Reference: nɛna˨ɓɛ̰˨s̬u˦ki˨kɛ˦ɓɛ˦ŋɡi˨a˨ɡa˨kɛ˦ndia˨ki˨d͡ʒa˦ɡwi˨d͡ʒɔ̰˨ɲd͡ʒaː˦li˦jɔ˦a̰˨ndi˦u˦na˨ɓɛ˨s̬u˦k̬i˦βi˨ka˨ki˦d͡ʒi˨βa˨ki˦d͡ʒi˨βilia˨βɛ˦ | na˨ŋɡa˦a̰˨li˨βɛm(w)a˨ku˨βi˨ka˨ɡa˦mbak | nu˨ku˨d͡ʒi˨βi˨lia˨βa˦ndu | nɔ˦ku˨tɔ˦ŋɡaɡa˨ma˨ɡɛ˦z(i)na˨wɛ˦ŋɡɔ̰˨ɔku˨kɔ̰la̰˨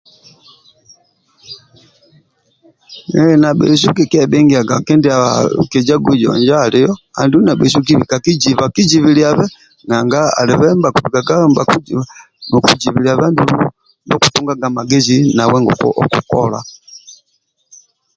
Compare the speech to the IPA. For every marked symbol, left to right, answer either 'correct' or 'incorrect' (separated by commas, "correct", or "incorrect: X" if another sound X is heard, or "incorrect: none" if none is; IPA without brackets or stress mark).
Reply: incorrect: b, correct